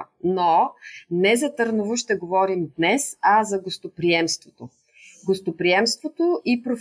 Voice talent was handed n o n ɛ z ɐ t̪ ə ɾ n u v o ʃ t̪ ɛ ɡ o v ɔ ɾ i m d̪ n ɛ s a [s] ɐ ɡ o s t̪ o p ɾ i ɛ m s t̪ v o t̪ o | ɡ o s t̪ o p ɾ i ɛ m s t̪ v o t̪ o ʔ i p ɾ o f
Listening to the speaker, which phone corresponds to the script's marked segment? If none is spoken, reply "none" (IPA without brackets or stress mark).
z